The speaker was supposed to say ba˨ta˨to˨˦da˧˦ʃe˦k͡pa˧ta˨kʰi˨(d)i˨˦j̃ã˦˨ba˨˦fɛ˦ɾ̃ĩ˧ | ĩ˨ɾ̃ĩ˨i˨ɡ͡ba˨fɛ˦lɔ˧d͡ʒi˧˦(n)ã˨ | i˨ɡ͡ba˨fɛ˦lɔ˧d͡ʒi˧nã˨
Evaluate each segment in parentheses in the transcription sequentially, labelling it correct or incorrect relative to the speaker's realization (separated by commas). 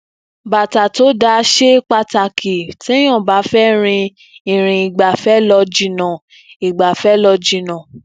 incorrect, correct